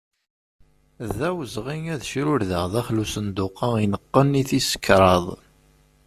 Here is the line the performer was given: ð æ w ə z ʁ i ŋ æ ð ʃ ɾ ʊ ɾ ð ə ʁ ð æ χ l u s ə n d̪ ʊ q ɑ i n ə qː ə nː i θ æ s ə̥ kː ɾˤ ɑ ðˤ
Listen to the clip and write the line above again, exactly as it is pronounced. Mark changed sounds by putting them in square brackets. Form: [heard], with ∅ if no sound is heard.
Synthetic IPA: ð æ w ə z ʁ i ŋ æ ð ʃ ɾ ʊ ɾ ð ə ʁ ð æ χ l u s ə n d̪ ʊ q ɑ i n ə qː ə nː i θ [i] s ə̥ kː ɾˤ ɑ ðˤ

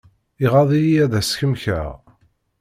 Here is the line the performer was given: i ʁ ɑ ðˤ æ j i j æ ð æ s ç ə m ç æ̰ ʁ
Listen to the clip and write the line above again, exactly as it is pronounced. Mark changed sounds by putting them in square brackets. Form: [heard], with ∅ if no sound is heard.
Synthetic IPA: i ʁ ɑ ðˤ [i] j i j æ ð æ s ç ə m ç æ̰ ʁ

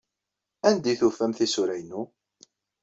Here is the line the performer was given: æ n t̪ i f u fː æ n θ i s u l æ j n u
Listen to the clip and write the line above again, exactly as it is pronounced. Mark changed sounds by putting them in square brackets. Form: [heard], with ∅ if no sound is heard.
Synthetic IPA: æ n [d̪] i [θ] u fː æ [m] θ i s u [ɾ] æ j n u

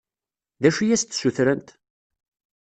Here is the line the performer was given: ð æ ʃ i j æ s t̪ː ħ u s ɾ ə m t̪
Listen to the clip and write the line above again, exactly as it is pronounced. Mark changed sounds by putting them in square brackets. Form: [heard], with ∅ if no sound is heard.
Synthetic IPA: ð æ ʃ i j æ s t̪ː [s] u [θ] ɾ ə [n] t̪

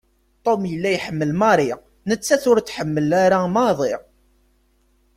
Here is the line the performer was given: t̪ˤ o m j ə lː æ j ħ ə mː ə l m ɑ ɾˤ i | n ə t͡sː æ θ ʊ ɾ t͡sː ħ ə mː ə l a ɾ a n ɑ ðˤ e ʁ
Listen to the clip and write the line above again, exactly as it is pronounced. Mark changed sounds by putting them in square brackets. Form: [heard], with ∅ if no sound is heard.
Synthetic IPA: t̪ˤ o m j ə lː æ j ħ ə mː ə l m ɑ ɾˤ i | n ə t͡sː æ θ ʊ ɾ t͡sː ħ ə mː ə l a ɾ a [m] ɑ ðˤ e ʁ

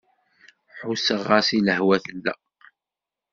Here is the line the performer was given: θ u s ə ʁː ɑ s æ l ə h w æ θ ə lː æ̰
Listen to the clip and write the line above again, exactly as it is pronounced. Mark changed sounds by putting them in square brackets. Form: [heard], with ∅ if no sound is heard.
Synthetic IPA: [ħ] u s ə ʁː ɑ s [i] l ə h w æ θ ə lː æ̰

